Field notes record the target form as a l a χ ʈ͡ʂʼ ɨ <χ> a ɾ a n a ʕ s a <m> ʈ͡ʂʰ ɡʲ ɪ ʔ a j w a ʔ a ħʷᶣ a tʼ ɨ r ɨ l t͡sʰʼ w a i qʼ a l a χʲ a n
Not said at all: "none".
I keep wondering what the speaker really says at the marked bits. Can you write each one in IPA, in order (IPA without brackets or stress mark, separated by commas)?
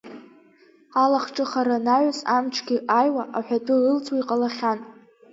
χ, m